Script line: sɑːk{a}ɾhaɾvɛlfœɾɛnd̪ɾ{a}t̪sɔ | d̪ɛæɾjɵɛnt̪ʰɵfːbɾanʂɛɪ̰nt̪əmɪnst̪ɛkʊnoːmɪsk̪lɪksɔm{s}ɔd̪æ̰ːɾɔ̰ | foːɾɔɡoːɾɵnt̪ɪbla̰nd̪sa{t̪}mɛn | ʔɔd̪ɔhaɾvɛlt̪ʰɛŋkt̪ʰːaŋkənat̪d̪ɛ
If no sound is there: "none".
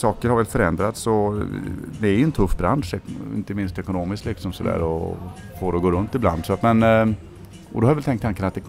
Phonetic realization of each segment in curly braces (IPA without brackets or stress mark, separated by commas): ə, a, s, t̪